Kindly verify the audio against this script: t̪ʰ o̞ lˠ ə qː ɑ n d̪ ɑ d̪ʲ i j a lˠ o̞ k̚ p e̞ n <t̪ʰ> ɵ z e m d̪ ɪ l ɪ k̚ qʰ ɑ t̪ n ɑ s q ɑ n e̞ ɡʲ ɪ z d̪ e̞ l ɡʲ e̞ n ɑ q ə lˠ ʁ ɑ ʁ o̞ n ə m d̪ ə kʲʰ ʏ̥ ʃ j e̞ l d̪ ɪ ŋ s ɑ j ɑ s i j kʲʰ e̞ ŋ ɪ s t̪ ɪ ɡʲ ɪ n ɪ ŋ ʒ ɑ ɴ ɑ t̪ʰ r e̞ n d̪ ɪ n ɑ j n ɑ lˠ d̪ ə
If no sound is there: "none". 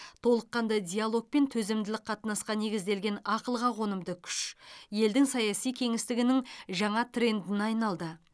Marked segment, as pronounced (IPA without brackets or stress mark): t̪ʰ